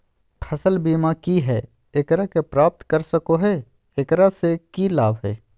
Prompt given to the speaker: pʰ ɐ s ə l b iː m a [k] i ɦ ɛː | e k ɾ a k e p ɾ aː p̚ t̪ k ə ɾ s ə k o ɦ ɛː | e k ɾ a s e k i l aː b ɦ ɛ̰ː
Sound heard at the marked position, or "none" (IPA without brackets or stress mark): k